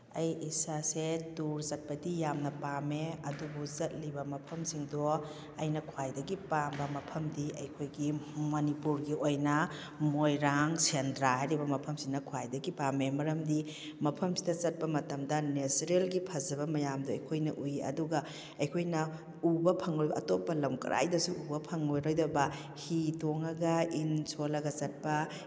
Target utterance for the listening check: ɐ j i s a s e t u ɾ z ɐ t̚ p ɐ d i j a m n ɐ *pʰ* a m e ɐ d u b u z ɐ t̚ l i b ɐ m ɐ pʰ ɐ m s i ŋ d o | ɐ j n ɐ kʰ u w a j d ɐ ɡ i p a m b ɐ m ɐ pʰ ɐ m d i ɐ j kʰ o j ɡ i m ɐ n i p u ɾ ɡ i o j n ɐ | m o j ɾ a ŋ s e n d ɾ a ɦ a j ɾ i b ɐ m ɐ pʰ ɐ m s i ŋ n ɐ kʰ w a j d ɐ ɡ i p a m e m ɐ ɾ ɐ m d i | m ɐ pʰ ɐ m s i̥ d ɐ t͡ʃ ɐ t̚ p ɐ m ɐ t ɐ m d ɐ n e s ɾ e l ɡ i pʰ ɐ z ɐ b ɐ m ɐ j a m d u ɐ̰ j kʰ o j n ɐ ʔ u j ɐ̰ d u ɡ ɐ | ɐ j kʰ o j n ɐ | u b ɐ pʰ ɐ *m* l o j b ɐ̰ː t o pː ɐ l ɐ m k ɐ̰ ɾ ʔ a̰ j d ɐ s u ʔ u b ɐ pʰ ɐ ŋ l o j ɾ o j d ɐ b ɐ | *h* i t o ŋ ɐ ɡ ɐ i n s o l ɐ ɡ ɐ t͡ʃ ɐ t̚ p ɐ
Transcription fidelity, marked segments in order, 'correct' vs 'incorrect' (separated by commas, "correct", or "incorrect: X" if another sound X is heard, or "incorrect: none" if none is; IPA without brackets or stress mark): incorrect: p, incorrect: ŋ, correct